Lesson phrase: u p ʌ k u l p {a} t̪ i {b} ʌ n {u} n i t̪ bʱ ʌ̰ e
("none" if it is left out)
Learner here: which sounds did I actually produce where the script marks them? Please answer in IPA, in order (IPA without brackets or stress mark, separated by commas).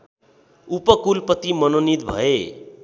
ʌ, m, o